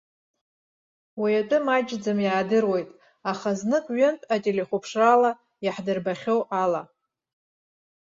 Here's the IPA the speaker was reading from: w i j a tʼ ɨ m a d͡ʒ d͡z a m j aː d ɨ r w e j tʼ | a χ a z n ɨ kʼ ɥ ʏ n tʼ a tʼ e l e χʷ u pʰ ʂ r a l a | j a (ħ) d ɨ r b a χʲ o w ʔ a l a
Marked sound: correct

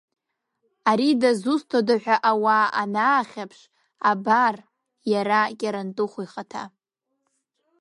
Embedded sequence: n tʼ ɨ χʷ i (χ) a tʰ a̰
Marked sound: correct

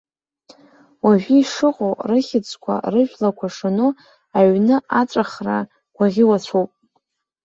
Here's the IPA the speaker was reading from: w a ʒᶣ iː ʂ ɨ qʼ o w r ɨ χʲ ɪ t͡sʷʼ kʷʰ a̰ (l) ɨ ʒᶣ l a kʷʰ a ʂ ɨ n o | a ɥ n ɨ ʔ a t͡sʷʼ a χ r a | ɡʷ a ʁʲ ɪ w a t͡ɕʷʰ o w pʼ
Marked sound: incorrect: r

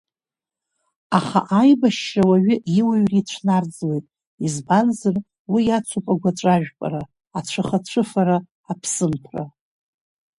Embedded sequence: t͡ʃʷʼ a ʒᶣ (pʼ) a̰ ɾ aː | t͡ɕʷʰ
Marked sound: correct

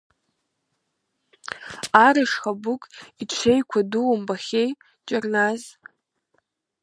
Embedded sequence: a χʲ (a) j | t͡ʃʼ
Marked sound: incorrect: e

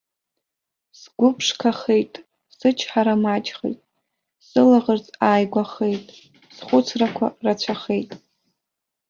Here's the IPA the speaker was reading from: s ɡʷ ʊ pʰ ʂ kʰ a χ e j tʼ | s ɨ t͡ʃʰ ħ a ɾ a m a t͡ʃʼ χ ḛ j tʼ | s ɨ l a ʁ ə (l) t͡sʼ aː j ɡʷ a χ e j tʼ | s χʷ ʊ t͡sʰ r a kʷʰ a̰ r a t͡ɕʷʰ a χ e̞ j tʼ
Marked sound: incorrect: r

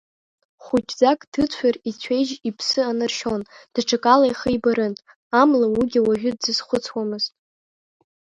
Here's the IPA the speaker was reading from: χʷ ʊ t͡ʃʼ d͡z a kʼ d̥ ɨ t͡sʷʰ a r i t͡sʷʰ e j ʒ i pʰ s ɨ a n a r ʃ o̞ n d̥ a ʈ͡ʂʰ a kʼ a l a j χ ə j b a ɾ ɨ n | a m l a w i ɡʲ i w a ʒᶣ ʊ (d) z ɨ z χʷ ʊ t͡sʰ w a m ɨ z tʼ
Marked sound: correct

